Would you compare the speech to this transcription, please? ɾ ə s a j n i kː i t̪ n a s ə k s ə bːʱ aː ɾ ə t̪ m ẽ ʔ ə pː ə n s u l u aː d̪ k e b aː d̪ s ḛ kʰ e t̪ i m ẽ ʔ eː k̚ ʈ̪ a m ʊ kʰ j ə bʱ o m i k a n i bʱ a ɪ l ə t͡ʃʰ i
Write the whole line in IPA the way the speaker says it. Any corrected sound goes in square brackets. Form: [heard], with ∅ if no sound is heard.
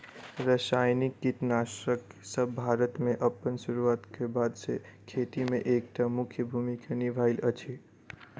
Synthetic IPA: ɾ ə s a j n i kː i t̪ n a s ə k s ə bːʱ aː ɾ ə t̪ m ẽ ʔ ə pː ə n s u [ɾ] u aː [t̪] k e b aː d̪ s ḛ kʰ e t̪ i m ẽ ʔ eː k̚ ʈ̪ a m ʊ kʰ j ə bʱ [u] m i k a n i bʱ a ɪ l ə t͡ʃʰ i